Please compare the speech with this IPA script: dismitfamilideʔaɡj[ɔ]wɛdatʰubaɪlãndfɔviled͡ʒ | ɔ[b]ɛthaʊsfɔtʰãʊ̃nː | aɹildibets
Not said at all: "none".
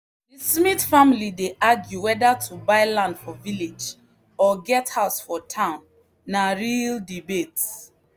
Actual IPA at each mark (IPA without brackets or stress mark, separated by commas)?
u, ɡ